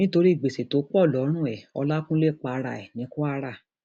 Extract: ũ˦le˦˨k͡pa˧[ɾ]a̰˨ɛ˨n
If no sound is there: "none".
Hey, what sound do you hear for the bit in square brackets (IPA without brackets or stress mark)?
ɾ